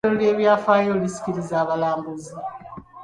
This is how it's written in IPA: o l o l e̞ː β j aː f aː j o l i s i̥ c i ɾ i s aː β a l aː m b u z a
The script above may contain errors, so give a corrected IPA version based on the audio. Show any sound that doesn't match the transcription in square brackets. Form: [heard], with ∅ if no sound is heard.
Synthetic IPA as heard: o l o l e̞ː β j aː f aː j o l i s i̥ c i ɾ i [z] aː β a l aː m b u z [i]